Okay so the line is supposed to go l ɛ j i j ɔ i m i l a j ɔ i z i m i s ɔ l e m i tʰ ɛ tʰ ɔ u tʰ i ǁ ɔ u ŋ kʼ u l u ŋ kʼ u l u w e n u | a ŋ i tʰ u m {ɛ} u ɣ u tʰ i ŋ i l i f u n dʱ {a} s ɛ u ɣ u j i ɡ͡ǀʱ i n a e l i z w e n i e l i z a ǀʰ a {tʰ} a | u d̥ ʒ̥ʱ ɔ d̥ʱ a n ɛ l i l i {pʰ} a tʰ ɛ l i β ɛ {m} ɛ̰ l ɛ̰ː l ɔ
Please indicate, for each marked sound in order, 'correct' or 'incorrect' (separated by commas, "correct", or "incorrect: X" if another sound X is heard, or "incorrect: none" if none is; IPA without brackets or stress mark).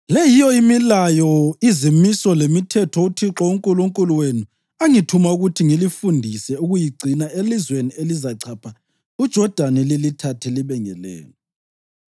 incorrect: a, incorrect: i, incorrect: pʰ, incorrect: tʰ, incorrect: ŋ